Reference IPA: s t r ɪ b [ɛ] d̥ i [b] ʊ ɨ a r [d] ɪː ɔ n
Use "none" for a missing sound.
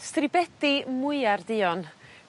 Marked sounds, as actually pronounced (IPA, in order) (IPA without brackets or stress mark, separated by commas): ɛ, m, d